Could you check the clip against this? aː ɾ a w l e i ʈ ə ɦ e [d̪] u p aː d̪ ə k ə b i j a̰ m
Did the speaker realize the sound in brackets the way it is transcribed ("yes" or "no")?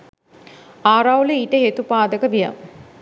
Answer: no